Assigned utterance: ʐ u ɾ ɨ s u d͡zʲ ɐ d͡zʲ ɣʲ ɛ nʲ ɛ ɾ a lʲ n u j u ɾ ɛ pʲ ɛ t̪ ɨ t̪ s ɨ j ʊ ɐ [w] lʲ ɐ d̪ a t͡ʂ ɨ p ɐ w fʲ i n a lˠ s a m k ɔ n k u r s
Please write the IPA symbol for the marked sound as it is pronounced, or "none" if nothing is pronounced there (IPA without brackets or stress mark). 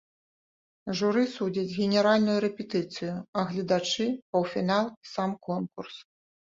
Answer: ɣ